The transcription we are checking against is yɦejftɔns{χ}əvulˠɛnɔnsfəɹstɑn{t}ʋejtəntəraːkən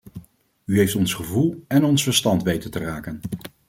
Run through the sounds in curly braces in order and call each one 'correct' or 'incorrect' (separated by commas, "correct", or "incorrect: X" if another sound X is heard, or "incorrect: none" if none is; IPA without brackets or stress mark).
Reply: correct, correct